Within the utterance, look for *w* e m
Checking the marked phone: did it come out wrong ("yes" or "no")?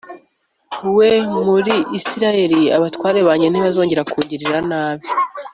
no